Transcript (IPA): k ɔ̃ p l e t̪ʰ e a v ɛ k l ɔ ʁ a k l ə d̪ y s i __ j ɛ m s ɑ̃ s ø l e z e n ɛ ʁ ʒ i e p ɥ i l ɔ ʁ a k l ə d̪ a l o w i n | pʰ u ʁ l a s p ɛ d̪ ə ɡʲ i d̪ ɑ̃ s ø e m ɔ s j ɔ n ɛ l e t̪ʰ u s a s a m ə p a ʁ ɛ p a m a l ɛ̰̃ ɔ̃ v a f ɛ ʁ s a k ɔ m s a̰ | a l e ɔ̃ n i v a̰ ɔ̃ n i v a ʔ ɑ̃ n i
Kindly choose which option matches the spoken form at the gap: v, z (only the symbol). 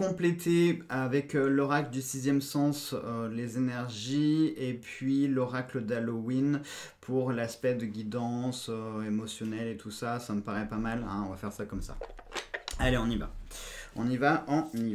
z